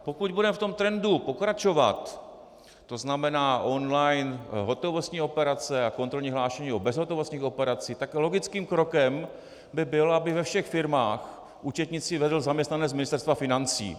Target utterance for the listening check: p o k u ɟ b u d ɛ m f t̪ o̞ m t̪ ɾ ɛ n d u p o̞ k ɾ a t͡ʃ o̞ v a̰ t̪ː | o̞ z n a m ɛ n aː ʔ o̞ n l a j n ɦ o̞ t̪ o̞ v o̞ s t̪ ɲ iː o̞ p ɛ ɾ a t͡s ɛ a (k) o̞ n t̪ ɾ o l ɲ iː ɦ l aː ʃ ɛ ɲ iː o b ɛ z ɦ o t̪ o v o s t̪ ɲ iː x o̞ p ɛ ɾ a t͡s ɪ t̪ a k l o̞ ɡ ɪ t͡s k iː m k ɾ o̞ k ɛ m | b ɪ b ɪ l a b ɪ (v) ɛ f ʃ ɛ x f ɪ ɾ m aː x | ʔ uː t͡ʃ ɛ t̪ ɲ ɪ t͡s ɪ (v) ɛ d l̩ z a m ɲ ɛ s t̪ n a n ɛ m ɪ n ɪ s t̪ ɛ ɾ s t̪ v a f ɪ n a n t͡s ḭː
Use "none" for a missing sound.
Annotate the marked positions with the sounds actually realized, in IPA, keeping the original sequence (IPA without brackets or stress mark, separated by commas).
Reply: k, v, v